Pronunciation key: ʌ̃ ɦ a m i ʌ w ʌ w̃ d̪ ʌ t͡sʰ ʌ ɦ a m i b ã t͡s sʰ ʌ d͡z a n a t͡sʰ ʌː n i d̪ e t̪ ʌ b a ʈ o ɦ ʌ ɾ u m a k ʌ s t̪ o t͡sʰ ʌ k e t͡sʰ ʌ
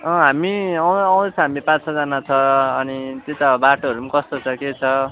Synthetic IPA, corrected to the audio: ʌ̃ ɦ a m i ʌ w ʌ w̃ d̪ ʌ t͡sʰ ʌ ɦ a m i p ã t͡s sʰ ʌ d͡z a n a t͡sʰ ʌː n i t̪ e t̪ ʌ b a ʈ o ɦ ʌ ɾ u m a k ʌ s t̪ o t͡sʰ ʌ k e t͡sʰ ʌ